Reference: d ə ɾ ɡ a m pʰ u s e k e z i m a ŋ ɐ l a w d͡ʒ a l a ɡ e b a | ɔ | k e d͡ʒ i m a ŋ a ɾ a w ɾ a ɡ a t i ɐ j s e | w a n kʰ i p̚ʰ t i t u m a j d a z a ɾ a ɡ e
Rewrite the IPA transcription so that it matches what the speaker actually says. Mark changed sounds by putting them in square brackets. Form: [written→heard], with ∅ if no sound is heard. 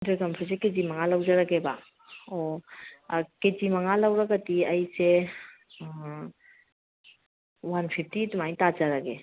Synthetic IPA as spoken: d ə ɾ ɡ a m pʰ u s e k e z i m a ŋ [ɐ→a] l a w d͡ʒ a [l→ɾ] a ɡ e b a | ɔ | k e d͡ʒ i m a ŋ a [ɾ→l] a w ɾ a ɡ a t i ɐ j s e | w a n [kʰ→pʰ] i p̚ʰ t i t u m a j [d→t] a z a ɾ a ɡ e